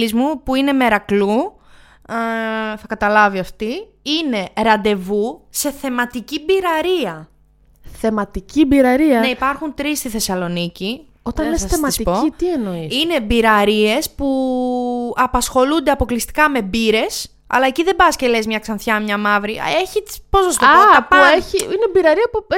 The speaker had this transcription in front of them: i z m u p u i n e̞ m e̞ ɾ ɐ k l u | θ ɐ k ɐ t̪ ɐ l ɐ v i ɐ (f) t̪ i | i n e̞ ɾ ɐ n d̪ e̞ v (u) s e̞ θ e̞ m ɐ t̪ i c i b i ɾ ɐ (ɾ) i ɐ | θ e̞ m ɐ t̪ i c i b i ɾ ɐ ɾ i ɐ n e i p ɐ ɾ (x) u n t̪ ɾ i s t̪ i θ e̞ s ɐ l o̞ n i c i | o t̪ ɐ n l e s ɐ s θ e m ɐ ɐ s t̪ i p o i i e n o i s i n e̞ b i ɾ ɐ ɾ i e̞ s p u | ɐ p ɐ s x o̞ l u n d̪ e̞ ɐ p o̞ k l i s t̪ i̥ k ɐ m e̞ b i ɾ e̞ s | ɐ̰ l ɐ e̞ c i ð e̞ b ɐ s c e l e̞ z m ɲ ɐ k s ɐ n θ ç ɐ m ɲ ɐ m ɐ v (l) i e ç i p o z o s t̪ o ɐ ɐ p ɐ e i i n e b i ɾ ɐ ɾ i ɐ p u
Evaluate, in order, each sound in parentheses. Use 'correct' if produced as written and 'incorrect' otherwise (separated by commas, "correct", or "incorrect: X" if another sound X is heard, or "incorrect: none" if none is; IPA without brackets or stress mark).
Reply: correct, correct, correct, correct, incorrect: ɾ